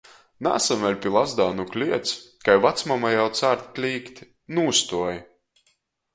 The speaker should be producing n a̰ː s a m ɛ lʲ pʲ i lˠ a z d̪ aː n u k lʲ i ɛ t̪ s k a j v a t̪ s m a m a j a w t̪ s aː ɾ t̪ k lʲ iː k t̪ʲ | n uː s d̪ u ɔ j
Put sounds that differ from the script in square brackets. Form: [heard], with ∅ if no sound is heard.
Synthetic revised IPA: n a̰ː s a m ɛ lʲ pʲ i lˠ a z d̪ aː n u k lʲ i ɛ t̪ s k a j v a t̪ s m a m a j a w t̪ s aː ɾ t̪ k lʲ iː k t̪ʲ | n uː s [t̪] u ɔ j